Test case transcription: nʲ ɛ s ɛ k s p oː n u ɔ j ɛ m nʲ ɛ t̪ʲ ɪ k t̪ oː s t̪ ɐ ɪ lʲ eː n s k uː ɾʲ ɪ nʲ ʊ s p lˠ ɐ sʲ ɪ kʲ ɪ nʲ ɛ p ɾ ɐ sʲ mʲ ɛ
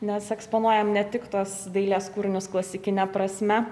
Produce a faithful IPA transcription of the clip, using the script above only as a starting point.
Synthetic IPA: nʲ ɛ s ɛ k s p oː n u ɔ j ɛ m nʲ ɛ t̪ʲ ɪ k t̪ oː s d̪ ɐ ɪ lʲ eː s k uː ɾʲ ɪ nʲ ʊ s k lˠ ɐ sʲ ɪ kʲ ɪ nʲ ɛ p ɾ ɐ sʲ mʲ ɛ